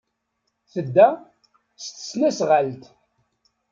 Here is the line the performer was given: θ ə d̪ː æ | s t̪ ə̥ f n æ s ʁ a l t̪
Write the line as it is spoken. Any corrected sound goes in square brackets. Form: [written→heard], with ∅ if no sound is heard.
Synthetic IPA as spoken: θ ə d̪ː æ | s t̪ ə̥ [f→s] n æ s ʁ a l t̪